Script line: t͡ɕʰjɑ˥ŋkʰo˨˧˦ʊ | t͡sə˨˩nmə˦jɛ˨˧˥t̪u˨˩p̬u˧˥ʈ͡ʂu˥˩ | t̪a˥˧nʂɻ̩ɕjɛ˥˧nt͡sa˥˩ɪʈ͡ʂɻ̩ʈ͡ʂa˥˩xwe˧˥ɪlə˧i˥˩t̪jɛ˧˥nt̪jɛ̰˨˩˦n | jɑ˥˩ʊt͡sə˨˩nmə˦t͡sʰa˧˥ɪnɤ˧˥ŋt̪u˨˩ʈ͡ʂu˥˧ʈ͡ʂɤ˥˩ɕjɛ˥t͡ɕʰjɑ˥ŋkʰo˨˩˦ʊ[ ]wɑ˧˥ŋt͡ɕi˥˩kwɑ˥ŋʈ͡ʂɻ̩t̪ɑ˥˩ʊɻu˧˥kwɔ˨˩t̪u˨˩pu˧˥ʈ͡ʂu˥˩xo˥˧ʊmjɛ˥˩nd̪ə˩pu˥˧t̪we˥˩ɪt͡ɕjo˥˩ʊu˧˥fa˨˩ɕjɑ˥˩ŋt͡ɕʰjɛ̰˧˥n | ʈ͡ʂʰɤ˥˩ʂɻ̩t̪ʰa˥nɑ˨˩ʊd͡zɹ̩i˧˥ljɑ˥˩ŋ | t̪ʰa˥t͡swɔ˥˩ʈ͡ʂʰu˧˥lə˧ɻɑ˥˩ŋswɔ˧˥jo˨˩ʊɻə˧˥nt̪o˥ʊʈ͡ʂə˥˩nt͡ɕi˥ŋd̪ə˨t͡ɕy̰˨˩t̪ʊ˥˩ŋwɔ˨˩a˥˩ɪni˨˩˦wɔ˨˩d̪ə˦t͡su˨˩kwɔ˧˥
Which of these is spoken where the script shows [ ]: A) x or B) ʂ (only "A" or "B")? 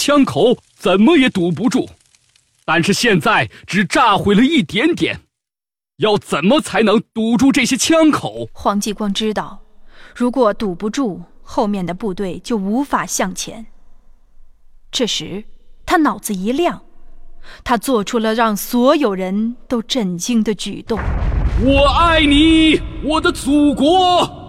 A